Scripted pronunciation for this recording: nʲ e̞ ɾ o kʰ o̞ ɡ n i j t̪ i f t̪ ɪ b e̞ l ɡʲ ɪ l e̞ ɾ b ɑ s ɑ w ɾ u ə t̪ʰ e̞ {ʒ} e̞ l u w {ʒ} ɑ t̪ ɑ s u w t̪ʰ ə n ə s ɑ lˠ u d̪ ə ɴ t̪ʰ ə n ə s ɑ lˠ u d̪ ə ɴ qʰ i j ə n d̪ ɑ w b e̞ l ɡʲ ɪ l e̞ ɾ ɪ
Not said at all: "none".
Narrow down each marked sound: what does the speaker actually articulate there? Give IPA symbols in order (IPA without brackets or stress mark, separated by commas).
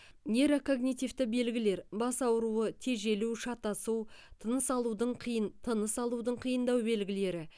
ʒ, ʃ